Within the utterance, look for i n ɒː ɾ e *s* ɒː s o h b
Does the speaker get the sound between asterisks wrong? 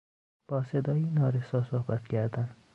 no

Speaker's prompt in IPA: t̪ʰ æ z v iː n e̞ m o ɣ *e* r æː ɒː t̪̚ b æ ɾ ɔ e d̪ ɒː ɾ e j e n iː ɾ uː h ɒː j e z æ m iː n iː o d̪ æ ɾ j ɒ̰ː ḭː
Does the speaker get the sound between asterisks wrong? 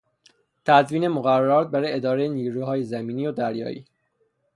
yes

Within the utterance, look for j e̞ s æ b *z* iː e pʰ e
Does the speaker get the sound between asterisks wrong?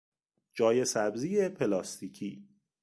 no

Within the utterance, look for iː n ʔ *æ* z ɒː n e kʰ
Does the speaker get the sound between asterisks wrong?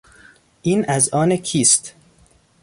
no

